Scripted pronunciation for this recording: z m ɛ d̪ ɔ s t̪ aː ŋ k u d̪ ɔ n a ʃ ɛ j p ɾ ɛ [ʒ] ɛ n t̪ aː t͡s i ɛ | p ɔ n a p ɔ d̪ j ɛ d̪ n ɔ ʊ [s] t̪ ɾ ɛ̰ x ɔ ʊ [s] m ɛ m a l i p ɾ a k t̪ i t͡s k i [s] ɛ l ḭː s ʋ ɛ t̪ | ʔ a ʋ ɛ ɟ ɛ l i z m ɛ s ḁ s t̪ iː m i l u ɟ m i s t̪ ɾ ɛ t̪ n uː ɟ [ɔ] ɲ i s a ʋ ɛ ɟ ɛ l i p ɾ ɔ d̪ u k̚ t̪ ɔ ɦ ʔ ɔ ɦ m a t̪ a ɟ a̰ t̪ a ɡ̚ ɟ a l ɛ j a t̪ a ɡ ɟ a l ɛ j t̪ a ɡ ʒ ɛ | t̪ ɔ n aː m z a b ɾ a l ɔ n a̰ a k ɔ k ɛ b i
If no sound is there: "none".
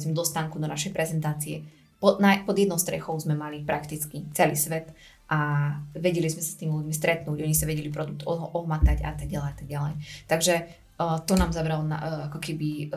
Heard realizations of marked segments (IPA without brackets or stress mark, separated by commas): z, s, z, t͡s, ɔ